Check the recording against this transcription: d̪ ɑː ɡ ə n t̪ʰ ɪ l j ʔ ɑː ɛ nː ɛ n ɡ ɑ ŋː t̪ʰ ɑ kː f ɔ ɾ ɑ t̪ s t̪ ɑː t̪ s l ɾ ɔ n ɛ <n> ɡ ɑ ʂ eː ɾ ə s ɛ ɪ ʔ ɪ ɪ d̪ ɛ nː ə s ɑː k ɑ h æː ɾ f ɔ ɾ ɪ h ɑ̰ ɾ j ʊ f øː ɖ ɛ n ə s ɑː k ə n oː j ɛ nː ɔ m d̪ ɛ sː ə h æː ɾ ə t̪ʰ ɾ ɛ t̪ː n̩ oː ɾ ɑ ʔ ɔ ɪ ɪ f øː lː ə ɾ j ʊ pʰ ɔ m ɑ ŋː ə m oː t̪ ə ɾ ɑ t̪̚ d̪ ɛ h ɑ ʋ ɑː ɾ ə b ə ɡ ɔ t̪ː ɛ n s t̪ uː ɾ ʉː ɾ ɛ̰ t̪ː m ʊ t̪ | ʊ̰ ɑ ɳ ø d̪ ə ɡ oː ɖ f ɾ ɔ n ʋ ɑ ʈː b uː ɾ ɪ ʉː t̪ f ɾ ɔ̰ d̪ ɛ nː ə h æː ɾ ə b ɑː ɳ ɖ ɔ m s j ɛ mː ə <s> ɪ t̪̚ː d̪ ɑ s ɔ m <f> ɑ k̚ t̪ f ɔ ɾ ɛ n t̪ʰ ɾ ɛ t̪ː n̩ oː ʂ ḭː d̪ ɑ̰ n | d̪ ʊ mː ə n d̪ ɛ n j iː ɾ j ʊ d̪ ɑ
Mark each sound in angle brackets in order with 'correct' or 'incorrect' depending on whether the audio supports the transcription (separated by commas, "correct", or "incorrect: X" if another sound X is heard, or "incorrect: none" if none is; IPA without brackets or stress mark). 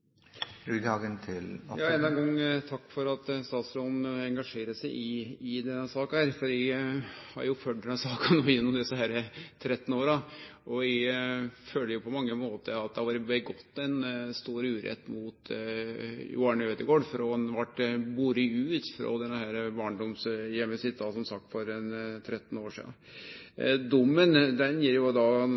incorrect: ŋ, correct, incorrect: s